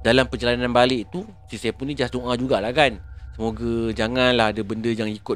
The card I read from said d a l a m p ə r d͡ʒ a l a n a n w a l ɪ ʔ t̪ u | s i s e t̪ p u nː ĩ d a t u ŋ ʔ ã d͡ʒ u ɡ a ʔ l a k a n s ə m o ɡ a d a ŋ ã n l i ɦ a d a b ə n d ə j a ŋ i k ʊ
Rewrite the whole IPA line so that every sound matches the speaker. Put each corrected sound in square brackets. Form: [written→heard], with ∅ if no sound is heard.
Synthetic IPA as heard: d a l a m p ə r d͡ʒ a l a n a n [w→b] a l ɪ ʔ t̪ u | s i s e [t̪→∅] p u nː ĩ [d→d͡ʒ] a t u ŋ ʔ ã d͡ʒ u ɡ a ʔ l a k a n s ə m o ɡ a [d→d͡ʒ] a ŋ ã n l [i→a] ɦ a d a b ə n d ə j a ŋ i k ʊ